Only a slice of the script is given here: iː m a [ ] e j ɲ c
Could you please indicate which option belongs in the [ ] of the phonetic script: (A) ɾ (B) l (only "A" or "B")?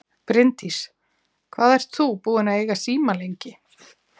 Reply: B